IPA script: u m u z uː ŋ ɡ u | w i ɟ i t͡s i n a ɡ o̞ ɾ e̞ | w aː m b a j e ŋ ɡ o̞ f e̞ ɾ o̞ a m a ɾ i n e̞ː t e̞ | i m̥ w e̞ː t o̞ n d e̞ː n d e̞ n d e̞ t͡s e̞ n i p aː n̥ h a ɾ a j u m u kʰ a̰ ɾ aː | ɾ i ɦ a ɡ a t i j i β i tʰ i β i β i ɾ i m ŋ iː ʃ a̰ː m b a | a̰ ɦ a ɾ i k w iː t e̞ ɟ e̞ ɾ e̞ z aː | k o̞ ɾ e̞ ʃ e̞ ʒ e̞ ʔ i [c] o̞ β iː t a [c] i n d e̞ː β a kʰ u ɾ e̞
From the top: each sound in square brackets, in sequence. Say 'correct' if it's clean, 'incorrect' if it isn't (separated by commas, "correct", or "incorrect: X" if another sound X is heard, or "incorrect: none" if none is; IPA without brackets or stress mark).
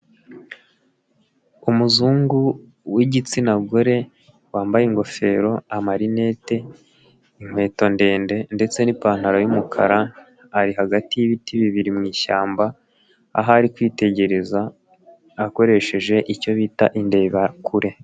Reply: correct, incorrect: ʔ